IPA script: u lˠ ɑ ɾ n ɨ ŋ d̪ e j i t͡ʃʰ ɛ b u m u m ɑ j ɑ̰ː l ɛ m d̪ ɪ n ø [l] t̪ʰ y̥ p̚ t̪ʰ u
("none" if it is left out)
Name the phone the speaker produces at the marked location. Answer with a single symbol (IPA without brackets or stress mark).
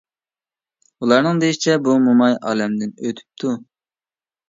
none